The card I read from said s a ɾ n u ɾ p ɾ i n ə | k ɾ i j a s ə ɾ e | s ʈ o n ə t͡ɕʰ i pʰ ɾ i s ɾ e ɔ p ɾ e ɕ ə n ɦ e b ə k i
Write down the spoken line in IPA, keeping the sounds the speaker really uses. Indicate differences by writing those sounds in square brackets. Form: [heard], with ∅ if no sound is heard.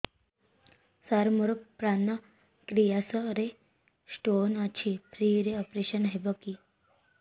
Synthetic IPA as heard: s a ɾ [m] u ɾ p ɾ [a] n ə | k ɾ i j a s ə ɾ e | s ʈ o n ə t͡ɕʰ i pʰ ɾ i [∅] ɾ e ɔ p ɾ e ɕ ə n ɦ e b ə k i